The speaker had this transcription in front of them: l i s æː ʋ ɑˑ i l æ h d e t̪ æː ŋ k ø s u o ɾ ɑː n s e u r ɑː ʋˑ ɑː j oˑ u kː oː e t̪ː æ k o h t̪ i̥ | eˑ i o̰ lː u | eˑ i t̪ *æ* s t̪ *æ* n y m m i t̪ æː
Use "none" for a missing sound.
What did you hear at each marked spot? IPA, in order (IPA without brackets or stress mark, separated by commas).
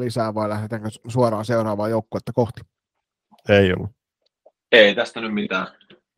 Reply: æ, æ